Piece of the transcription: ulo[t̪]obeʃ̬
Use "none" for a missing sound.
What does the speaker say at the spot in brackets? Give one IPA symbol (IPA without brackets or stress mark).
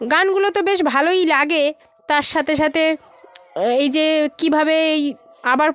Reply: t̪